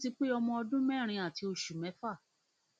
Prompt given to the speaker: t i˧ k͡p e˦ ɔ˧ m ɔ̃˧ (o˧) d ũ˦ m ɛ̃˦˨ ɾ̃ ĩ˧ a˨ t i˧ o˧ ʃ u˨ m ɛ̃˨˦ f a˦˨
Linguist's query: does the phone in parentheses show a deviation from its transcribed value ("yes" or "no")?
yes